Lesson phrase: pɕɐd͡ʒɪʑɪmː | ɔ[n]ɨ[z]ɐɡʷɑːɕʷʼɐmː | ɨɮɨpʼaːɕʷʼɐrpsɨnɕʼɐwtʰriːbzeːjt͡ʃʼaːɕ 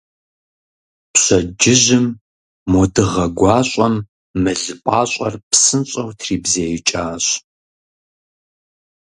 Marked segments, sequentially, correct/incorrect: incorrect: d, incorrect: ʁ

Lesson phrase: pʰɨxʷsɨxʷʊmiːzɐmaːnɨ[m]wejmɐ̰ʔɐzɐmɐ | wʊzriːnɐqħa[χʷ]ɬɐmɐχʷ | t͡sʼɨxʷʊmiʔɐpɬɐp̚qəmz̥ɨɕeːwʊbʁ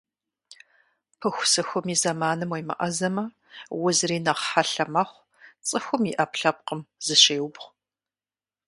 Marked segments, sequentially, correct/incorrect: correct, incorrect: none

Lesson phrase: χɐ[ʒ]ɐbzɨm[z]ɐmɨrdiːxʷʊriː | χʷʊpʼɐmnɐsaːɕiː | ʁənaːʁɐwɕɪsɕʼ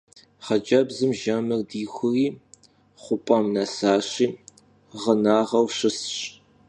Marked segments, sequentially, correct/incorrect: incorrect: d͡ʒ, incorrect: ʒ

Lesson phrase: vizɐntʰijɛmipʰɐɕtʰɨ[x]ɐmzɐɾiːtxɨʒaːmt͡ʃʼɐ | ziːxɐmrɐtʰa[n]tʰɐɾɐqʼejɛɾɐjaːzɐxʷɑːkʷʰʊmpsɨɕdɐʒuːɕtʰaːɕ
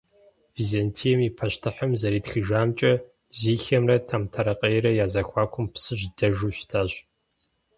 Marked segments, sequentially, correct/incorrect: incorrect: ħ, incorrect: m

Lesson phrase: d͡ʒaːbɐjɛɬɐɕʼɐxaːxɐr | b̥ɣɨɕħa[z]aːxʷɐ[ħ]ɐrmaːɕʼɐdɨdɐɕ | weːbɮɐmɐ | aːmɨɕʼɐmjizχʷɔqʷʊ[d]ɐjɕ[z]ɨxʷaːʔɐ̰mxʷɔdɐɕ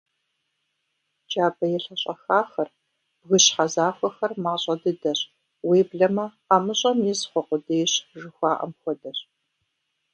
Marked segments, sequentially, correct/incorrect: correct, incorrect: x, correct, incorrect: ʒ

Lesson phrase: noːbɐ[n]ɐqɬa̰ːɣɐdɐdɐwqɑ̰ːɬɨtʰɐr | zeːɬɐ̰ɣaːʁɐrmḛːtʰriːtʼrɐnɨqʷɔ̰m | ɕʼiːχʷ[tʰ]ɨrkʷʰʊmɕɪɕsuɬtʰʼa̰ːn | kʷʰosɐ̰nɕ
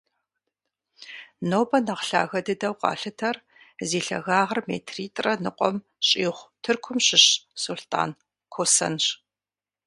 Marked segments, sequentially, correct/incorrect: correct, correct

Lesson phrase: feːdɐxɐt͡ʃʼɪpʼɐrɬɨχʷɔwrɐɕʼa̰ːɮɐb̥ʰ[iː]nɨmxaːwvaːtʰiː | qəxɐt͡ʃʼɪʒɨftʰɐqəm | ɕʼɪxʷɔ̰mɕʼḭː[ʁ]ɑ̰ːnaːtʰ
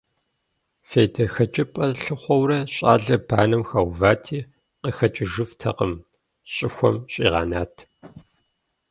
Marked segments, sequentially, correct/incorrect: incorrect: aː, correct

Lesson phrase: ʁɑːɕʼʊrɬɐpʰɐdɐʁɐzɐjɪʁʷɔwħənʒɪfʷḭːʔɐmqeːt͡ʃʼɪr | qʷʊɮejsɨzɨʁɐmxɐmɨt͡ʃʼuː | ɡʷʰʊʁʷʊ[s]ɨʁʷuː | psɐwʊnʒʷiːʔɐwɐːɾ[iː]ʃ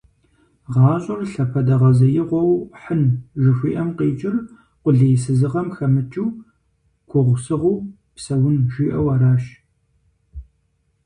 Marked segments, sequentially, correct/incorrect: correct, incorrect: aː

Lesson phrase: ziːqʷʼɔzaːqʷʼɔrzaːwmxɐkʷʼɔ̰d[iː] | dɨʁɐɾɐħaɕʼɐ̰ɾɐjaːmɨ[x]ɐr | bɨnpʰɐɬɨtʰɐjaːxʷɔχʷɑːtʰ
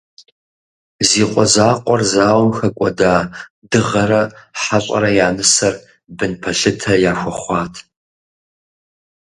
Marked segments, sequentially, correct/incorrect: incorrect: aː, incorrect: s

